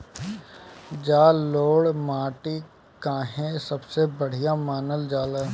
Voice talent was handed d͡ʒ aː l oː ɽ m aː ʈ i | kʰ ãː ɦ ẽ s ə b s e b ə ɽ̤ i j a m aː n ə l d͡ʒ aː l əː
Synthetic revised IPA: d͡ʒ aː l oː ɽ m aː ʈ i | k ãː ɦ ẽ s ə b s e b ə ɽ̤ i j a m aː n ə l d͡ʒ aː l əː